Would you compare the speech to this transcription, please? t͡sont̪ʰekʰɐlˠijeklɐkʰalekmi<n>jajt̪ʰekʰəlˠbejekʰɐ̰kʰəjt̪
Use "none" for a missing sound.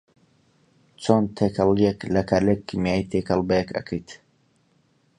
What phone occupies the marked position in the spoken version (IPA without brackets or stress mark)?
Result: none